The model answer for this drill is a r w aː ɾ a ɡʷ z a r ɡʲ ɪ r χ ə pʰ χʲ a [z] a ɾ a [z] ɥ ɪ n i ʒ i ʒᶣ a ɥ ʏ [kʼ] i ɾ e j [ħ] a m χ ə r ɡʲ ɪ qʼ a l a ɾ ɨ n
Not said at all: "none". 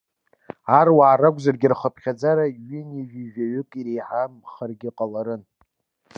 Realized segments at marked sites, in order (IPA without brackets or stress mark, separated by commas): d͡z, none, kʼ, ħ